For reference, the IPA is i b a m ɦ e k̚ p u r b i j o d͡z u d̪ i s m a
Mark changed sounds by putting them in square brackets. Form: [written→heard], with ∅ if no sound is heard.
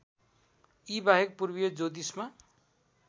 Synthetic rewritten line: i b a [m→∅] ɦ e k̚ p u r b i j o d͡z [u→o] d̪ i s m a

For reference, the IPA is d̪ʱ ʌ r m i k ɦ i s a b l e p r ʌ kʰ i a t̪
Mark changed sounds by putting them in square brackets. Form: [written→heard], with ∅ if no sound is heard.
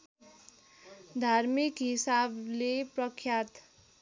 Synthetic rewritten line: d̪ʱ [ʌ→a] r m i k ɦ i s a b l e p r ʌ kʰ [i→j] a t̪

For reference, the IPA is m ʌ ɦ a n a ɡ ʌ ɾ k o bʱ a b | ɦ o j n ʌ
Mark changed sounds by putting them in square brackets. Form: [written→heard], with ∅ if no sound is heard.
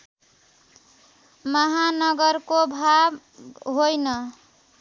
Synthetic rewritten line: m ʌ ɦ a n [a→ʌ] ɡ ʌ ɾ k o bʱ a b | ɦ o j n ʌ

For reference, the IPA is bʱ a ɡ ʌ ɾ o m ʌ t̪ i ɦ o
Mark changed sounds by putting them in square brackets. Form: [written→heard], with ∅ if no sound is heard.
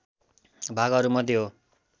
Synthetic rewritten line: bʱ a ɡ ʌ ɾ [o→u] m ʌ [t̪→d̪] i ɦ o

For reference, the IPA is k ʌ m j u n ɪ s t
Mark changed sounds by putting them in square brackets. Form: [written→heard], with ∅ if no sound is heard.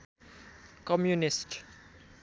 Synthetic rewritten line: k [ʌ→ɔ] m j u n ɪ s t

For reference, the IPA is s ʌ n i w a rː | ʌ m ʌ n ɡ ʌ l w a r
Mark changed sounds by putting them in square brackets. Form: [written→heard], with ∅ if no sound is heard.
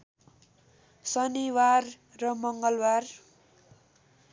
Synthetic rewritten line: s ʌ n i w a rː | ʌ m ʌ [n→ŋ] ɡ ʌ l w a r

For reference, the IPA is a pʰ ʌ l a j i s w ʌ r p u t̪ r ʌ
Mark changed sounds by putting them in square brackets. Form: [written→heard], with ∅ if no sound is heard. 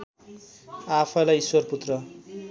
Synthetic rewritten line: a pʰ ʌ l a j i s w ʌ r p u t̪ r ʌ

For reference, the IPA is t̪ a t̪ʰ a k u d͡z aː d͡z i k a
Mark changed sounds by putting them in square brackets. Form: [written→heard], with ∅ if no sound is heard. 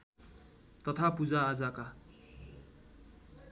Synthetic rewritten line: t̪ [a→ʌ] t̪ʰ a [k→p] u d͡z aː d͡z [i→a] k a

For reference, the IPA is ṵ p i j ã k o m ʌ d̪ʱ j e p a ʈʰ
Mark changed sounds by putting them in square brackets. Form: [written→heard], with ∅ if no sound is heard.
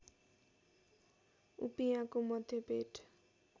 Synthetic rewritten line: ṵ p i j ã k o m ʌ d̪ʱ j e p [a→e] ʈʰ

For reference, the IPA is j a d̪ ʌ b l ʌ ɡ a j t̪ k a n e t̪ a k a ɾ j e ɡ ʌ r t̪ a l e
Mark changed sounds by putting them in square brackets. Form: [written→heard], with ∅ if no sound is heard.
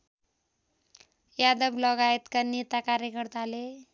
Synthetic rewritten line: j a d̪ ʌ b l ʌ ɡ a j t̪ k a n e t̪ a k a ɾ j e [ɡ→k] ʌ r t̪ a l e

